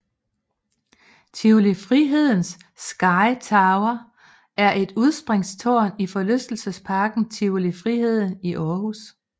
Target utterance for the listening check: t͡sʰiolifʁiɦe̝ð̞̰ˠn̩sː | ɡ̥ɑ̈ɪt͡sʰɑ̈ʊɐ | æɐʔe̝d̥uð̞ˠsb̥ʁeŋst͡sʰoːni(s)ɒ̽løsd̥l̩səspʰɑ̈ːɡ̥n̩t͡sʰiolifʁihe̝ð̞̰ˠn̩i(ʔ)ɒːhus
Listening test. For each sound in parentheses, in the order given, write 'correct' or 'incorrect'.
incorrect, correct

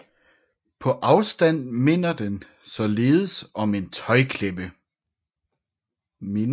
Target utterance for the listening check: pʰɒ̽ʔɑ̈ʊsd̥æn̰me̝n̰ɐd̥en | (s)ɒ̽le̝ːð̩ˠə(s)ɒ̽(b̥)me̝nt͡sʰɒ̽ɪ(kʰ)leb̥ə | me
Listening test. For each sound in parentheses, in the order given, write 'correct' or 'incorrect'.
correct, correct, incorrect, correct

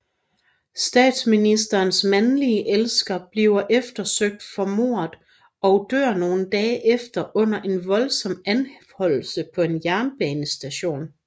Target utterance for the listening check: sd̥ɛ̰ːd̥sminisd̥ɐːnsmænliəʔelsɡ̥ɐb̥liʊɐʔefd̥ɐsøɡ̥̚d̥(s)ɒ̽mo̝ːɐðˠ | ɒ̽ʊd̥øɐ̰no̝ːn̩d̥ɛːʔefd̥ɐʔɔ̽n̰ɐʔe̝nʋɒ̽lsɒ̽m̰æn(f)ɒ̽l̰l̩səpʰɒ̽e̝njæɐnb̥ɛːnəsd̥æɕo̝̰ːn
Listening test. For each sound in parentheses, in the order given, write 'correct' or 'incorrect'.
incorrect, incorrect

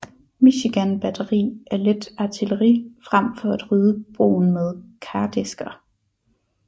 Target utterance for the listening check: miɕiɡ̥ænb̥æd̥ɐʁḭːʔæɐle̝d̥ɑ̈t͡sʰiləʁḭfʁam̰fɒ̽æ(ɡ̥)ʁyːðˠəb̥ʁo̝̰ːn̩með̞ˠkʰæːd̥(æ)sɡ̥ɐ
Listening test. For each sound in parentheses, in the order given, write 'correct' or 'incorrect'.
incorrect, incorrect

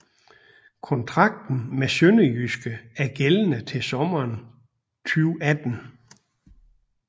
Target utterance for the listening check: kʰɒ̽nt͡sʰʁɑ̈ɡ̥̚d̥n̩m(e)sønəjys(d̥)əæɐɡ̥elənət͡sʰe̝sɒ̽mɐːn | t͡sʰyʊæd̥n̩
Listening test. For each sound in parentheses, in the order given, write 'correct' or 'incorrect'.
correct, incorrect

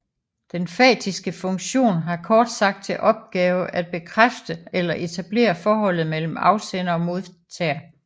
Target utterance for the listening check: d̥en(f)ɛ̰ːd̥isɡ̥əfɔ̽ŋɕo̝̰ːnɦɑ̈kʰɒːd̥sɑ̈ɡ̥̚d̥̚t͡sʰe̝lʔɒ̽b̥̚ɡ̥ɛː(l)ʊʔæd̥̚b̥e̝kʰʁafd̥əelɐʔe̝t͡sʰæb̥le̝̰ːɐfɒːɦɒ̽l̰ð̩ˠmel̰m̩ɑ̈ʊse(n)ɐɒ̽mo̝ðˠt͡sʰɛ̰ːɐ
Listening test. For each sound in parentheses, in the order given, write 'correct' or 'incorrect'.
correct, incorrect, correct

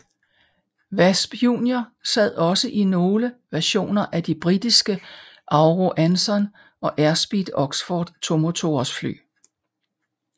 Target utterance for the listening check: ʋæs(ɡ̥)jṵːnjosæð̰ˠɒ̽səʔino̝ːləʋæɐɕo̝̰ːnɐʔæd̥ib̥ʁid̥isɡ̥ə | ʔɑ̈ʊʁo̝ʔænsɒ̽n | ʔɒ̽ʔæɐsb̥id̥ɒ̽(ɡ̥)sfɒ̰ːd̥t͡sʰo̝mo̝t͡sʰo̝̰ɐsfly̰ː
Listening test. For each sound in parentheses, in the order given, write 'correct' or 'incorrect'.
incorrect, correct

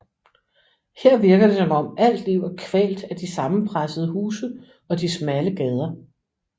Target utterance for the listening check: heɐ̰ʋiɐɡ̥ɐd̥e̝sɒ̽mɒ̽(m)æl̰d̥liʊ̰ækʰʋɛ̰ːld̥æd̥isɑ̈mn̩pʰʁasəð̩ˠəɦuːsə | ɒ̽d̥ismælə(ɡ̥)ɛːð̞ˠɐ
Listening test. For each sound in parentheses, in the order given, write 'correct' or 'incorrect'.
correct, correct

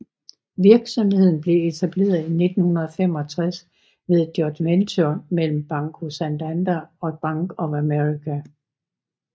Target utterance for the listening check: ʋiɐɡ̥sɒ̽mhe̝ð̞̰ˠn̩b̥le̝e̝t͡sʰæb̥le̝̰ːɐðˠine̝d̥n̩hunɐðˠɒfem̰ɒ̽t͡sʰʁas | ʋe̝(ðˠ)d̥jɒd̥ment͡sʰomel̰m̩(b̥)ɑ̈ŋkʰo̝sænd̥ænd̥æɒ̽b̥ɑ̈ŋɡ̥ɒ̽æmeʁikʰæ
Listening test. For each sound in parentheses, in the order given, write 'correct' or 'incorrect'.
correct, correct

